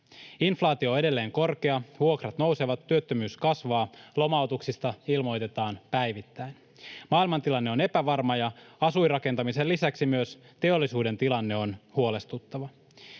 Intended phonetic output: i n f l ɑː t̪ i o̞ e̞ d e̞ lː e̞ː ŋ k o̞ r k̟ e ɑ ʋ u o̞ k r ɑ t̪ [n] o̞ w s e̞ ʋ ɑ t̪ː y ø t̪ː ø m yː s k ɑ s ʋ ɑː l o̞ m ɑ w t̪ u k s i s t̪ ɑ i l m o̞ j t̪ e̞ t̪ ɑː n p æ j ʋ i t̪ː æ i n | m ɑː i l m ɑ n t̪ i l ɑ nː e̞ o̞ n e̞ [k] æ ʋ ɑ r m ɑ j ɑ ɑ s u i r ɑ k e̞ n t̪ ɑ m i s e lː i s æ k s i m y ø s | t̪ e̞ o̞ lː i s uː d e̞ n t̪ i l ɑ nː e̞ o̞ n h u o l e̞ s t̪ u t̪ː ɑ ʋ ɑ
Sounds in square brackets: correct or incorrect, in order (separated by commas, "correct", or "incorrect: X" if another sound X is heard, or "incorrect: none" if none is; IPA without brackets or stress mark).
correct, incorrect: p